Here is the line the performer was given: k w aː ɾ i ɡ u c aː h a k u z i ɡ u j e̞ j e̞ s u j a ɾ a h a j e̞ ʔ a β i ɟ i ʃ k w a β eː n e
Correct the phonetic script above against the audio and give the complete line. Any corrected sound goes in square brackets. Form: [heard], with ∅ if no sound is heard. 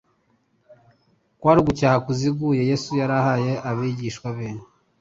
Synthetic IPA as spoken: k w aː ɾ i ɡ u c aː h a k u z i ɡ u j e̞ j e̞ s u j a ɾ a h a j e̞ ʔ a β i ɟ i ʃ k w a β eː n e